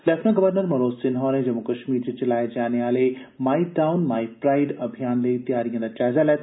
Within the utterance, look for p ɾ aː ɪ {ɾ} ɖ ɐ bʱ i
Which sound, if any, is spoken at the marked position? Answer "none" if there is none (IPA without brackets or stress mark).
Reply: none